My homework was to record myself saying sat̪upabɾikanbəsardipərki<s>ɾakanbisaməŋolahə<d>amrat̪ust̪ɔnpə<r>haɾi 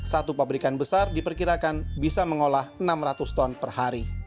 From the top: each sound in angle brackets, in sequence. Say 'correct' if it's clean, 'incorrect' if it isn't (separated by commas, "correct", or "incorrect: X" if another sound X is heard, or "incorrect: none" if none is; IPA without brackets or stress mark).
incorrect: none, incorrect: n, correct